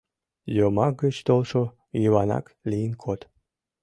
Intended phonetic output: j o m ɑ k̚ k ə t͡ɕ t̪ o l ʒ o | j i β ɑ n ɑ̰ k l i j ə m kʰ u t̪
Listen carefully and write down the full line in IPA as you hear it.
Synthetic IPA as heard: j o m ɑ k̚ ɡ ə t͡ɕ t̪ o l ʃ o | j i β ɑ n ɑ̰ k l i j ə n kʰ o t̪